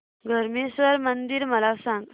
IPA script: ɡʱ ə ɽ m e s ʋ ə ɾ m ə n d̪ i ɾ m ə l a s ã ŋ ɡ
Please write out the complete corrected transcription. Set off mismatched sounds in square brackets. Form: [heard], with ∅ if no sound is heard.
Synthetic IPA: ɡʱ ə [ɾ] m e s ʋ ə ɾ m ə n d̪ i ɾ m ə l a s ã ŋ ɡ